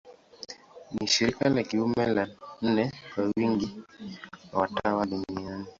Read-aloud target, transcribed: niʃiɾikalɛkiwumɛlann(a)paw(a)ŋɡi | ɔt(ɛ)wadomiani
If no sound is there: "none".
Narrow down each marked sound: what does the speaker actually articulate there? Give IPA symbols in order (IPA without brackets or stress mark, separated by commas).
ɛ, i, a